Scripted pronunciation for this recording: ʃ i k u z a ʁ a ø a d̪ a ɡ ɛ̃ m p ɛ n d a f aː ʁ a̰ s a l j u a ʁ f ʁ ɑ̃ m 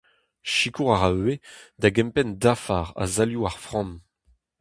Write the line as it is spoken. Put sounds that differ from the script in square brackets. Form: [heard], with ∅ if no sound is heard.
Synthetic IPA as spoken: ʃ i k u [ʁ] a ʁ a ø [e] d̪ a ɡ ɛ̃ m p ɛ n d a f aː ʁ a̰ [z] a l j u a ʁ f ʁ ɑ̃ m